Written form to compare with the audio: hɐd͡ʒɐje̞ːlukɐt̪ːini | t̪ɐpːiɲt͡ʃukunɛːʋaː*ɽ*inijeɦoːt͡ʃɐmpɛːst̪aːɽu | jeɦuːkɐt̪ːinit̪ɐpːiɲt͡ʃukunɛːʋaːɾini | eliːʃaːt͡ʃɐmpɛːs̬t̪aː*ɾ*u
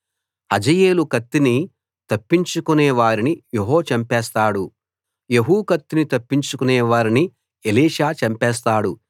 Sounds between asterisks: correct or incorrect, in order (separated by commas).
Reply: incorrect, incorrect